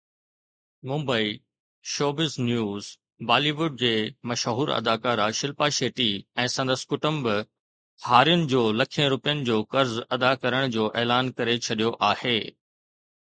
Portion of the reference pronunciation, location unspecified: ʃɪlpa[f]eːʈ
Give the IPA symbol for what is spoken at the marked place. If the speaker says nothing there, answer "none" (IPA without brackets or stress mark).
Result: ʃ